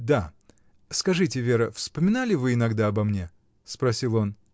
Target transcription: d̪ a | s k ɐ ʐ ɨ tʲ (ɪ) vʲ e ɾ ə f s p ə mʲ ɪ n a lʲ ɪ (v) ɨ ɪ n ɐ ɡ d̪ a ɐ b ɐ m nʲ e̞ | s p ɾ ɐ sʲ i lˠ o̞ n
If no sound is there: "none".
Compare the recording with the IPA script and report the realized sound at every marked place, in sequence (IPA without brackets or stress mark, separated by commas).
ɪ, v